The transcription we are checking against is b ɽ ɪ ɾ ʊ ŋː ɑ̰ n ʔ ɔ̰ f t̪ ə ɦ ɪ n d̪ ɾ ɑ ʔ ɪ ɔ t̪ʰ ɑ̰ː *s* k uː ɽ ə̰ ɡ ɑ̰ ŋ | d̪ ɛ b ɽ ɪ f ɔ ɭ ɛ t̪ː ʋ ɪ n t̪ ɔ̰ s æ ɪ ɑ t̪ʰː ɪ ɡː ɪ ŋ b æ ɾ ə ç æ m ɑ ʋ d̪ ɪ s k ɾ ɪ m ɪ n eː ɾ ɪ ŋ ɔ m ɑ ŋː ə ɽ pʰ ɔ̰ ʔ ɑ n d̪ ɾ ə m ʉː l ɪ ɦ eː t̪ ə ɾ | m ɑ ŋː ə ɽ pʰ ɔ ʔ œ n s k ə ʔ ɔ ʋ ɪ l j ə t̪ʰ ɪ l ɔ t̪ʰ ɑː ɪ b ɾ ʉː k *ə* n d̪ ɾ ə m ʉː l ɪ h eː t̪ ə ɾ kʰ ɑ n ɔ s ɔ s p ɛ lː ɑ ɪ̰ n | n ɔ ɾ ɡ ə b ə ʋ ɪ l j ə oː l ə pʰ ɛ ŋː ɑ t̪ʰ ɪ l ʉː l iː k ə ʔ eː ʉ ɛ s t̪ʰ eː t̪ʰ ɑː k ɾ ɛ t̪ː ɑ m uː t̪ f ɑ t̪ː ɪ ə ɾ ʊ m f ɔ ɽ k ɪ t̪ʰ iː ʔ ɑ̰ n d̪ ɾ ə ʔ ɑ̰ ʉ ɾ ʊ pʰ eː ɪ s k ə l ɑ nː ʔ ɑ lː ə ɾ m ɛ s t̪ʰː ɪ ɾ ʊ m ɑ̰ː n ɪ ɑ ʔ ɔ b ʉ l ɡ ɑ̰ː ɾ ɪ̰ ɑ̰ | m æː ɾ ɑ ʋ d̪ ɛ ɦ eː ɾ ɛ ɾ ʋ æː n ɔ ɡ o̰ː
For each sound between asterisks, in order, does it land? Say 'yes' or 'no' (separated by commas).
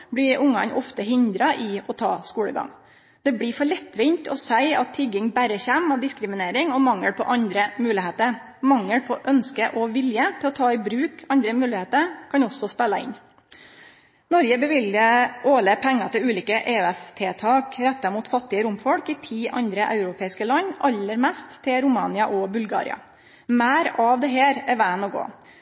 yes, no